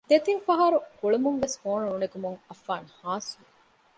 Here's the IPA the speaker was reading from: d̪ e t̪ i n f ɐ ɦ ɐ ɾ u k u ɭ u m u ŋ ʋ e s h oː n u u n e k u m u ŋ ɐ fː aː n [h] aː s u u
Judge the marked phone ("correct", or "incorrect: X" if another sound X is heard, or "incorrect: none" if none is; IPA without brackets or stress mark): correct